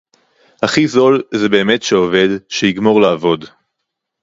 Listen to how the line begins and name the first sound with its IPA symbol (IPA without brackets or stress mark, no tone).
h